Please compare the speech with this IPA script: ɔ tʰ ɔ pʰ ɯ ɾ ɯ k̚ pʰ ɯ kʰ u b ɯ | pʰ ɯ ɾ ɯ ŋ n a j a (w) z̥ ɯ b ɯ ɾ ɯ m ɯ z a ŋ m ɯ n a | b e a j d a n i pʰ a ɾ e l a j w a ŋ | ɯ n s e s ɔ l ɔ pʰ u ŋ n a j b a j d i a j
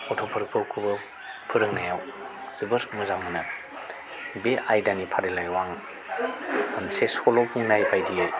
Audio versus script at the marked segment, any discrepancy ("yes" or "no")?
no